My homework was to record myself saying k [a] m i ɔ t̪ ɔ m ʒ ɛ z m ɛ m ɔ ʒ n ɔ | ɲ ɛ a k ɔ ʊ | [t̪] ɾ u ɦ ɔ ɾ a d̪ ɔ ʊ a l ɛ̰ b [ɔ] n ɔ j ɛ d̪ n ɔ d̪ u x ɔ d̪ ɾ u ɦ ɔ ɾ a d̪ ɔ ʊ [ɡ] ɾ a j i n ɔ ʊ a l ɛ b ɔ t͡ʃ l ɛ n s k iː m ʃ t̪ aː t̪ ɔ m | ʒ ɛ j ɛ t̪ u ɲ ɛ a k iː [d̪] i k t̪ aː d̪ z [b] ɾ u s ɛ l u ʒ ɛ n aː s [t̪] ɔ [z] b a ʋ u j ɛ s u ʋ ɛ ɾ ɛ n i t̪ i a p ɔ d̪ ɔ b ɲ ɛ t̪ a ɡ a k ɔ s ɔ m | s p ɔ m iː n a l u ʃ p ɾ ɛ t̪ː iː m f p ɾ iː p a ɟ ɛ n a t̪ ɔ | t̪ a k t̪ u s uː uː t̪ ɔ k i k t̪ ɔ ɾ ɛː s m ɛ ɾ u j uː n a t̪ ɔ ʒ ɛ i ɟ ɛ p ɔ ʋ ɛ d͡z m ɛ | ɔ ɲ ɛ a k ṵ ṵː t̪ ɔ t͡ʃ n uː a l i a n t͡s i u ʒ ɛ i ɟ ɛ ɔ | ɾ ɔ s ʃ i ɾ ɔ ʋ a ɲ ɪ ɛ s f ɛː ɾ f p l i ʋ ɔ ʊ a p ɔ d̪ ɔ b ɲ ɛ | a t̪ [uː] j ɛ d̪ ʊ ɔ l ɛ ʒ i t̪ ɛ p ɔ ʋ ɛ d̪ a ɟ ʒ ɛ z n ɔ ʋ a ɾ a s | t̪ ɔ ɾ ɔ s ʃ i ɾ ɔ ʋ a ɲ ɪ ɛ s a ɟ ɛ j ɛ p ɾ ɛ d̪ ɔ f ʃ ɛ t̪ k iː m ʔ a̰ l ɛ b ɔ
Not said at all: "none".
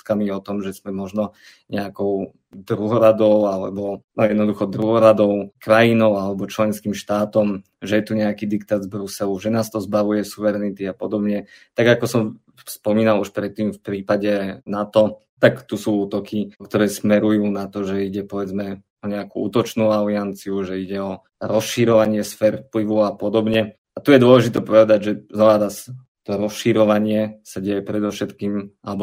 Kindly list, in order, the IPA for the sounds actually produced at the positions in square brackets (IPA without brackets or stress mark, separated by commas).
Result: a, d̪, ɔ, k, d̪, b, t̪, z, u